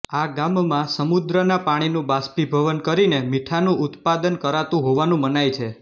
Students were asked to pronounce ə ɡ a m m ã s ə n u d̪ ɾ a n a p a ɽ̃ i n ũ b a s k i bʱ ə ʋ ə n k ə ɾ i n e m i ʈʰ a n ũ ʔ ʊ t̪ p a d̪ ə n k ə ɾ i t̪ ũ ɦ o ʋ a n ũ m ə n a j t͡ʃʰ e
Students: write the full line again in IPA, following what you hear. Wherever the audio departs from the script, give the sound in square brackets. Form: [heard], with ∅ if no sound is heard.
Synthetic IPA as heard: [a] ɡ a m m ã s ə [m] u d̪ ɾ [ə] n a p a ɽ̃ i n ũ b a s [p] i bʱ ə ʋ ə n k ə ɾ i n e m i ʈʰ a n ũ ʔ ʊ t̪ p a d̪ ə n k ə ɾ [a] t̪ ũ ɦ o ʋ a n ũ m ə n a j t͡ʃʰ e